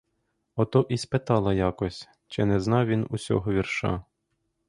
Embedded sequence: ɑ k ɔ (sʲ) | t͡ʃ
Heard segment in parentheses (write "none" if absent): sʲ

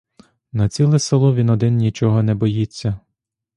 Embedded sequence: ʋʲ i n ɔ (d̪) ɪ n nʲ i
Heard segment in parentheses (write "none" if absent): d̪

